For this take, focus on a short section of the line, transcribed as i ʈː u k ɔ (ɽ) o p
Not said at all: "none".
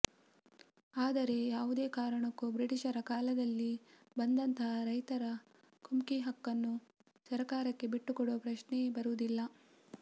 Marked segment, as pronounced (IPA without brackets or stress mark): ɽ